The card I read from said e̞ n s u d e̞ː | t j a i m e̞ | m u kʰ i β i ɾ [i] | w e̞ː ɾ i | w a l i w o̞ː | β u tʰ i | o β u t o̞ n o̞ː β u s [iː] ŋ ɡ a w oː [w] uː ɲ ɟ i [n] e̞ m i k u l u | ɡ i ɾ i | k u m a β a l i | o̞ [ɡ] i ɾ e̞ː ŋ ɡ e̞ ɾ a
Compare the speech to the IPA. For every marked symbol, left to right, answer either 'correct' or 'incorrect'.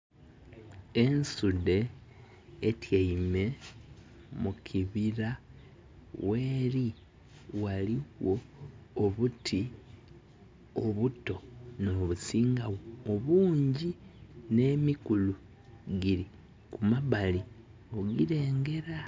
incorrect, correct, incorrect, correct, correct

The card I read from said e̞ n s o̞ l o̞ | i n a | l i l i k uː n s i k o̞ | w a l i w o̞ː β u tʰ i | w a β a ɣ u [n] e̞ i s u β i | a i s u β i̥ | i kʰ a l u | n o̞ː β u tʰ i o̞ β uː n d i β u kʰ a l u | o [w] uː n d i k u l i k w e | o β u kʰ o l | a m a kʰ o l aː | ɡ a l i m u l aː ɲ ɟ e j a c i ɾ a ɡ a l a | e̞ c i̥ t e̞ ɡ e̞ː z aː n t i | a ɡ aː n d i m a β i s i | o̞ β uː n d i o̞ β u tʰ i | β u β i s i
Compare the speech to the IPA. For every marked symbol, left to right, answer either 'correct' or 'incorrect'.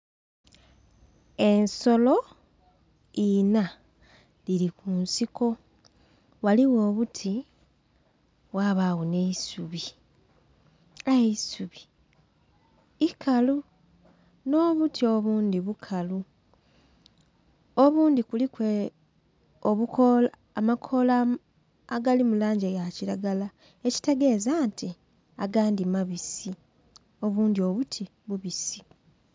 correct, incorrect

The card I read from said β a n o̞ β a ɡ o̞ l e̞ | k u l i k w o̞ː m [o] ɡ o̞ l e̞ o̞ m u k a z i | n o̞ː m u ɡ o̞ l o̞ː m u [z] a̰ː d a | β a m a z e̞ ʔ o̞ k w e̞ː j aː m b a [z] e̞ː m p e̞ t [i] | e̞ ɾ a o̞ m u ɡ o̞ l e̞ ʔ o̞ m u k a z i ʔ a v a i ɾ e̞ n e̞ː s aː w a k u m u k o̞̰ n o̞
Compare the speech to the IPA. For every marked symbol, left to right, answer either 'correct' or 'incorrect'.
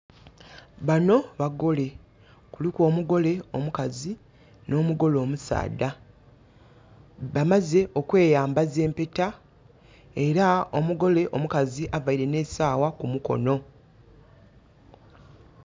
incorrect, incorrect, correct, incorrect

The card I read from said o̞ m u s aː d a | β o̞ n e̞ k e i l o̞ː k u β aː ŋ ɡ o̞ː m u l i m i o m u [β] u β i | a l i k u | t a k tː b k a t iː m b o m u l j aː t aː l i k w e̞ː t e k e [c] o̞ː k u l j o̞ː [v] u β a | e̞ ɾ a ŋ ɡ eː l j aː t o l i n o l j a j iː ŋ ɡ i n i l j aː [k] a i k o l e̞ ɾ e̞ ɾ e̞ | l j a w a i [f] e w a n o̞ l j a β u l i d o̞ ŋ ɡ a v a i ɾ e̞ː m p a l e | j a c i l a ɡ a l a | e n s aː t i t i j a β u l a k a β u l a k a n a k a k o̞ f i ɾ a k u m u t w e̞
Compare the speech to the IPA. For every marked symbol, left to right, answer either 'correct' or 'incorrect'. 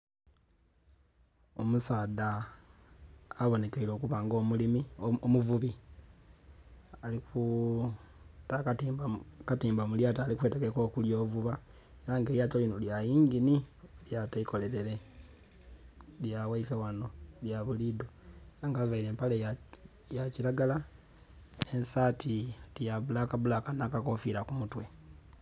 incorrect, incorrect, correct, incorrect, correct

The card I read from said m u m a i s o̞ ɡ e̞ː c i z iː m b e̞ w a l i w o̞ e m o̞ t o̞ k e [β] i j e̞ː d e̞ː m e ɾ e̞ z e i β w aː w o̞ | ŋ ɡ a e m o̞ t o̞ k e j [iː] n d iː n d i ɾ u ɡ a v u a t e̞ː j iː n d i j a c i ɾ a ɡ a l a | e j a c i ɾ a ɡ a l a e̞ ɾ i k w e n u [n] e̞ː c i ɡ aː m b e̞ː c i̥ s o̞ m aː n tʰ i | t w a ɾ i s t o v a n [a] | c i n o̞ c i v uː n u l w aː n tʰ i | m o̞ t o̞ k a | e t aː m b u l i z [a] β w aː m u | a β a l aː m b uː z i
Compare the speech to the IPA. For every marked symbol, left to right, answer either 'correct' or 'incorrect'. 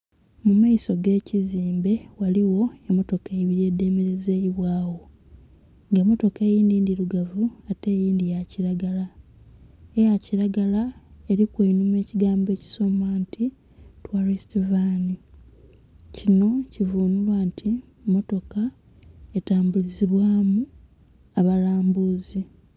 correct, correct, incorrect, incorrect, incorrect

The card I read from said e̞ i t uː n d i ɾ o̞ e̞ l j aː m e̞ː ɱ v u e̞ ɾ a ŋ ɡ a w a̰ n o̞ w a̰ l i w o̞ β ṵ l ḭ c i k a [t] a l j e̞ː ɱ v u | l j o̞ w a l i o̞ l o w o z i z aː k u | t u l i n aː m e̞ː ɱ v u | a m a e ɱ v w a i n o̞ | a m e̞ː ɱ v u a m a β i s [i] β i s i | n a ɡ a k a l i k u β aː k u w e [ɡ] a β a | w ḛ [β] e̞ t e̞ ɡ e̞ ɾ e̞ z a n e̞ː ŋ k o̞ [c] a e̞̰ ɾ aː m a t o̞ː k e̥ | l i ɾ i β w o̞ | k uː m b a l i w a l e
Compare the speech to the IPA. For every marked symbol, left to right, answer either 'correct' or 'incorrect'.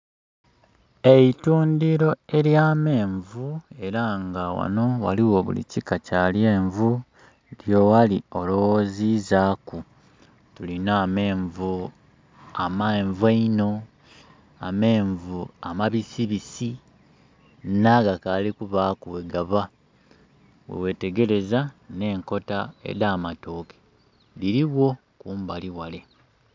incorrect, correct, correct, incorrect, incorrect

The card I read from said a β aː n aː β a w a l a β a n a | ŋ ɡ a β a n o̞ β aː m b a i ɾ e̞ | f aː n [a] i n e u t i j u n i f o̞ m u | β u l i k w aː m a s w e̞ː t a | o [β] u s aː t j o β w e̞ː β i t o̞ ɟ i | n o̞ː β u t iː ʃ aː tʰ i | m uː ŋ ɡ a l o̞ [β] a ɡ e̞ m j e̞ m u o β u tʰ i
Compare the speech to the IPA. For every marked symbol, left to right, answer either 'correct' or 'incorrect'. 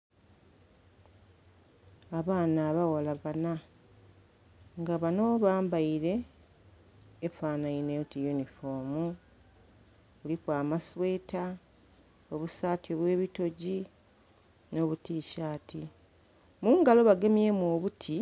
correct, correct, correct

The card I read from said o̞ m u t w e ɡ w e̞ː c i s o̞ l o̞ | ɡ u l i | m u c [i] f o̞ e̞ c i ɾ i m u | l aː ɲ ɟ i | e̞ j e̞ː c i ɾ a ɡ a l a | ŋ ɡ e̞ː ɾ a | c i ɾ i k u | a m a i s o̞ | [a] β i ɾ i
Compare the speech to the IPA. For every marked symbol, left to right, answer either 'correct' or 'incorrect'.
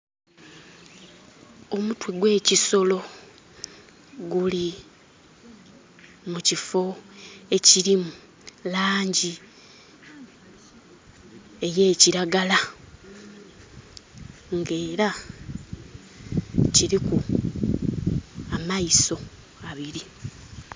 correct, correct

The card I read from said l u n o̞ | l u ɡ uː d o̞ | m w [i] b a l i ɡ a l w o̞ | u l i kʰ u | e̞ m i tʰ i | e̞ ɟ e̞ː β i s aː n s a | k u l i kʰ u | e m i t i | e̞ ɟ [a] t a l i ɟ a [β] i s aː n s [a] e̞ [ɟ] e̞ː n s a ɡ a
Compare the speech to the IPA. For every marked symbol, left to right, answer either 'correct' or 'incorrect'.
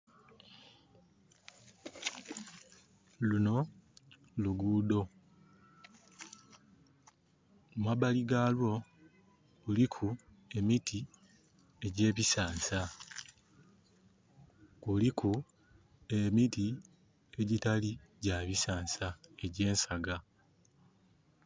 incorrect, incorrect, correct, correct, correct

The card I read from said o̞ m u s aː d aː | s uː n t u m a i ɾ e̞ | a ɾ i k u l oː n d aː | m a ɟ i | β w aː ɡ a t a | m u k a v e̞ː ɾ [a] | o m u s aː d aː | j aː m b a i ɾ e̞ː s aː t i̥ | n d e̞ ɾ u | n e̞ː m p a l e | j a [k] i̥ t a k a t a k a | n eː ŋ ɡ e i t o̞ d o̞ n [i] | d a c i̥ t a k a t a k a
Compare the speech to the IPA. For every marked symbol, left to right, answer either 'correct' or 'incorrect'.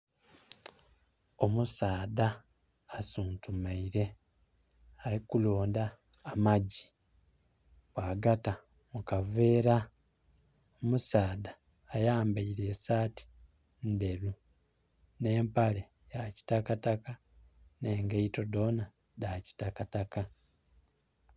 correct, incorrect, incorrect

